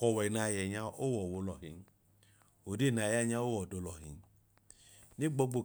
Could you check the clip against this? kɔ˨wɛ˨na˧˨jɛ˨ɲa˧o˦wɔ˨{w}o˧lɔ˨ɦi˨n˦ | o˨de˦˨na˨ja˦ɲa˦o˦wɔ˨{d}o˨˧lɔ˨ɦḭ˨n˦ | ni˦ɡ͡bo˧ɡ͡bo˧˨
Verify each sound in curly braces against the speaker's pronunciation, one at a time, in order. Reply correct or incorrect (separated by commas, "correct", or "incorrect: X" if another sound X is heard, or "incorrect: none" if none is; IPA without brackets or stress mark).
correct, correct